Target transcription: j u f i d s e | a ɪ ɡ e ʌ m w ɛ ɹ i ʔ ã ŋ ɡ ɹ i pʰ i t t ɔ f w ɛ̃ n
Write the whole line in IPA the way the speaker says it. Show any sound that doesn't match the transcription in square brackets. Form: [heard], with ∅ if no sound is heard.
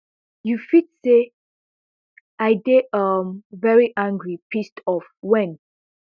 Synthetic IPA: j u f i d s e | a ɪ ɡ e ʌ m [v] ɛ ɹ i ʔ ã ŋ ɡ ɹ i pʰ i [s] t ɔ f w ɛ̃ n